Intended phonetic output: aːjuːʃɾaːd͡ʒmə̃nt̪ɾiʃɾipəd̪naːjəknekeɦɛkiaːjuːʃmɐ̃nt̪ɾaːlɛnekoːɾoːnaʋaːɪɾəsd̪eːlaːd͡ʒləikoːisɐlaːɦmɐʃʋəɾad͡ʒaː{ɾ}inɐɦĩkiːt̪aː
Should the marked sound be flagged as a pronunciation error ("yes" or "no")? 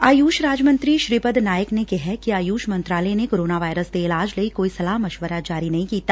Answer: no